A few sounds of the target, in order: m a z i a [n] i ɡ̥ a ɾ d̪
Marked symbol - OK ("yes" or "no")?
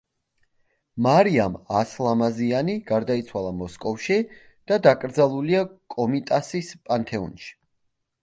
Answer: yes